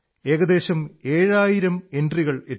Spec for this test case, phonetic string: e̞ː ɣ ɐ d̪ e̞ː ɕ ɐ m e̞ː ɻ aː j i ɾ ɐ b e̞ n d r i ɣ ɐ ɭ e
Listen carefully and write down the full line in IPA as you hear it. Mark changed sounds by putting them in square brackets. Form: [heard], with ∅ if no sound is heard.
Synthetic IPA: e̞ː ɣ ɐ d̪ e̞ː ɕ ɐ m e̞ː ɻ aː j i ɾ ɐ [m] e̞ n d r i ɣ ɐ ɭ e